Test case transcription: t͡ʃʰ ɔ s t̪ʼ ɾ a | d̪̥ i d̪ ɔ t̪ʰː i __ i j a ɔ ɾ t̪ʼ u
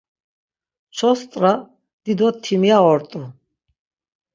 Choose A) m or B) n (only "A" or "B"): A